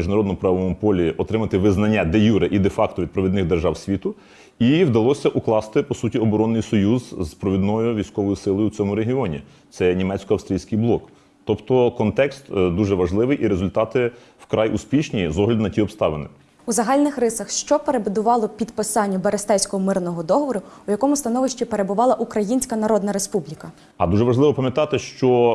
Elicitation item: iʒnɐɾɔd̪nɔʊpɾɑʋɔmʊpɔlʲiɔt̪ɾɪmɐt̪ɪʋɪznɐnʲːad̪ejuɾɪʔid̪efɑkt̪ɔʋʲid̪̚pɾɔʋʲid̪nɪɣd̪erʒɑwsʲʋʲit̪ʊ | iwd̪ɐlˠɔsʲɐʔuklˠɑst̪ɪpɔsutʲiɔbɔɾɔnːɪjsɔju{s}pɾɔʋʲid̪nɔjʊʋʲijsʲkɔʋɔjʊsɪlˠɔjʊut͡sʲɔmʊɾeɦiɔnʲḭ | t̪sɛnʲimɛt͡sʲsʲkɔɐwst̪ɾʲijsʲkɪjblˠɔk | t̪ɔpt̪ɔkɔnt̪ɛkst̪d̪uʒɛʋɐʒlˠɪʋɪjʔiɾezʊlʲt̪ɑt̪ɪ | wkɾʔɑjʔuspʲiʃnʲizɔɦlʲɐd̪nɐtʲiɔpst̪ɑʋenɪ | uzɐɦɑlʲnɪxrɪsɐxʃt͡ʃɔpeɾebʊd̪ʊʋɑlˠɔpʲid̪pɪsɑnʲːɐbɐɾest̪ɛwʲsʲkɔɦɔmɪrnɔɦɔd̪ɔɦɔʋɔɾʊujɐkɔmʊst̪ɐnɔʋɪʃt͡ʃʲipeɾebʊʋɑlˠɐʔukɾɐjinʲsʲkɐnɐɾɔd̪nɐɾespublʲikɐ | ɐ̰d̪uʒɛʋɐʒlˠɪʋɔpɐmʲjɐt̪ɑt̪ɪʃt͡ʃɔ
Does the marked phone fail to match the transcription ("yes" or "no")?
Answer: yes